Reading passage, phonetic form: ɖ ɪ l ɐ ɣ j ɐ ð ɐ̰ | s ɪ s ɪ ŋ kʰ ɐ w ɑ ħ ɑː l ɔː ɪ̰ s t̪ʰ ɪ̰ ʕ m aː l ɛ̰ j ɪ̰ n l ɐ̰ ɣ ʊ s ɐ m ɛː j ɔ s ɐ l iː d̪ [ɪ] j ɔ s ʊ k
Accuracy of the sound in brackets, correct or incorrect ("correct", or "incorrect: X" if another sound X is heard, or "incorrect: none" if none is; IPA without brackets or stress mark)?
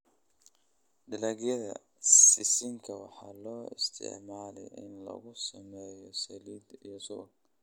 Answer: incorrect: i